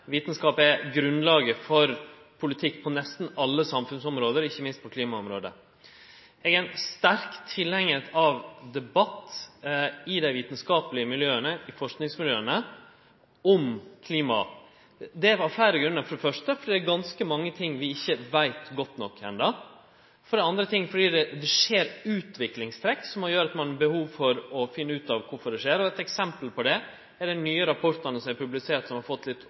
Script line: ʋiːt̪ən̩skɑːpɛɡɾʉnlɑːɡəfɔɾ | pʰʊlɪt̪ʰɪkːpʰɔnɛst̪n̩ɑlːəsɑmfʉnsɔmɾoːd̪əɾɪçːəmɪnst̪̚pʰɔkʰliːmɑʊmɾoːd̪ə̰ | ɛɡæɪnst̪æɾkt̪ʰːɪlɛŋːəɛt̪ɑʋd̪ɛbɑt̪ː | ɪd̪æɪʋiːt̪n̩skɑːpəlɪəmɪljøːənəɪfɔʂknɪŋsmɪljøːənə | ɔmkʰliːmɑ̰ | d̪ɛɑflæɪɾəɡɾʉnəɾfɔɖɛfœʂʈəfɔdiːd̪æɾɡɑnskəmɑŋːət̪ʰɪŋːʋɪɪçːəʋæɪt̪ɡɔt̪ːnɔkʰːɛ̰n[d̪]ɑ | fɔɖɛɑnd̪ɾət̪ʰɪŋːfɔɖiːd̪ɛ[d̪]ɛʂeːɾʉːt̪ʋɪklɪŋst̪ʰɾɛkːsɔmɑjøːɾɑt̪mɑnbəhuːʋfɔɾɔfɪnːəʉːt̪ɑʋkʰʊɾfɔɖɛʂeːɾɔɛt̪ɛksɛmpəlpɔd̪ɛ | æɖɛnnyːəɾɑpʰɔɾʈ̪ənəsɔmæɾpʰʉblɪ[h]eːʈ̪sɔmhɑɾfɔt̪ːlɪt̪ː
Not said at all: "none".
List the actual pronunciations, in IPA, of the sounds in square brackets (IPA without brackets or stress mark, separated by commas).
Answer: d̪, d̪, s